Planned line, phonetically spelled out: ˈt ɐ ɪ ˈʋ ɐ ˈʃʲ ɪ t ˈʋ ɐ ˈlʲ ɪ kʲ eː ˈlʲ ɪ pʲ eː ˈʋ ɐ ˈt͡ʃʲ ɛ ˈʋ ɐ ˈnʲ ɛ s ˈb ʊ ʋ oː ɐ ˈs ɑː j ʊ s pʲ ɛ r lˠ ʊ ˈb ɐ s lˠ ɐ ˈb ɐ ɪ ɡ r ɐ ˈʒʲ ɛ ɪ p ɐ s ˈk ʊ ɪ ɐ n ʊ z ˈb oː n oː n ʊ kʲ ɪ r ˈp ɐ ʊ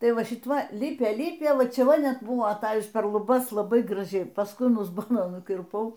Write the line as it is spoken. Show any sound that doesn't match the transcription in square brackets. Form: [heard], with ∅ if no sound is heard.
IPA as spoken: ˈt ɐ ɪ ˈʋ ɐ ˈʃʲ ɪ t ˈʋ ɐ ˈlʲ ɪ [pʲ] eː ˈlʲ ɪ pʲ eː ˈʋ ɐ ˈt͡ʃʲ ɛ ˈʋ ɐ ˈnʲ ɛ [t] ˈb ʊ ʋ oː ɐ [ˈt] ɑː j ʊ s pʲ ɛ r lˠ ʊ ˈb ɐ s lˠ ɐ ˈb ɐ ɪ ɡ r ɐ ˈʒʲ ɛ ɪ p ɐ s ˈk ʊ ɪ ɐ n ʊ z ˈb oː n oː n ʊ kʲ ɪ r ˈp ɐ ʊ